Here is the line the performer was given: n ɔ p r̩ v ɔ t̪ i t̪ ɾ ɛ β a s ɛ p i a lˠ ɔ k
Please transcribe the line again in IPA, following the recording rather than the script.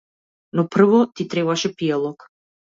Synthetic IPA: n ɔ p r̩ v ɔ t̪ i t̪ ɾ ɛ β a ʃ ɛ p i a lˠ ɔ k